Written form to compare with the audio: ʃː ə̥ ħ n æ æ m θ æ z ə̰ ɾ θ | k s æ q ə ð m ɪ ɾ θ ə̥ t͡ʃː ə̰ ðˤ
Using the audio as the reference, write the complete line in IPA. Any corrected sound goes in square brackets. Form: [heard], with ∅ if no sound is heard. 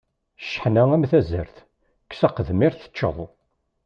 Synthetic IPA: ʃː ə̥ ħ n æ æ m θ æ z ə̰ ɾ θ | k s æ q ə ð m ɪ ɾ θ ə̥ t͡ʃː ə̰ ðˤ